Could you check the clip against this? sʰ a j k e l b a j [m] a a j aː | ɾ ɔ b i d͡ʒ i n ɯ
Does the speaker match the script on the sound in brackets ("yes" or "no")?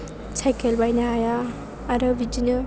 no